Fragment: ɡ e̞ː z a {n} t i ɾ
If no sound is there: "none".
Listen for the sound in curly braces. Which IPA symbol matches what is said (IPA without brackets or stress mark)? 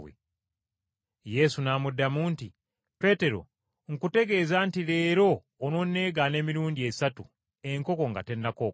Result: n